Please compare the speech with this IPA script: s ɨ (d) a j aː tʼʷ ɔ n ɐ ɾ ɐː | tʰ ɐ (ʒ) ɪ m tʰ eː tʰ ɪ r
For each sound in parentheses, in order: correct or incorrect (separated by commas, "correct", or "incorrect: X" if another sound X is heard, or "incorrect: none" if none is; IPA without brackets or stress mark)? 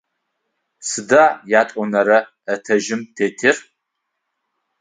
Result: correct, correct